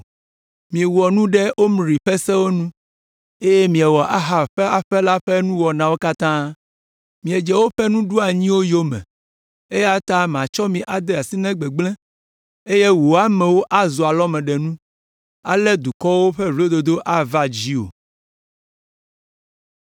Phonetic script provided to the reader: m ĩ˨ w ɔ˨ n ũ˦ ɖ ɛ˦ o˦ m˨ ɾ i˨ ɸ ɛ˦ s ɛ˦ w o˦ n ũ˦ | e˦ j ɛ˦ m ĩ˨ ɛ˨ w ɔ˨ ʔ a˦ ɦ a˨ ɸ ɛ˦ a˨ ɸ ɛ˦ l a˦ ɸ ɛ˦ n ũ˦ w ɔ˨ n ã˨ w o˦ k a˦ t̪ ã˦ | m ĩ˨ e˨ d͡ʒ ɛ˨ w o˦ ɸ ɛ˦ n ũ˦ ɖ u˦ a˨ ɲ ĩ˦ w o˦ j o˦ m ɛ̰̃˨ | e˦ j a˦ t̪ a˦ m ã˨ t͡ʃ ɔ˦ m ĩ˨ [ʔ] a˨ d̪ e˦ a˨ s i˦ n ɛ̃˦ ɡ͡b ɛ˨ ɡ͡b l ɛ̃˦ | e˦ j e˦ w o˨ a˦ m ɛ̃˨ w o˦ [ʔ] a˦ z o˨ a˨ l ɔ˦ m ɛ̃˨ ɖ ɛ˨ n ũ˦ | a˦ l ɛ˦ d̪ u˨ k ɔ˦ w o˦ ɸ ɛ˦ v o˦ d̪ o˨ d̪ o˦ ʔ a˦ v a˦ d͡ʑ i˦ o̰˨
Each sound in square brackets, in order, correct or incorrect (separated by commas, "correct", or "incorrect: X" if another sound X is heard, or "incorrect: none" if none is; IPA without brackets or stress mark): correct, correct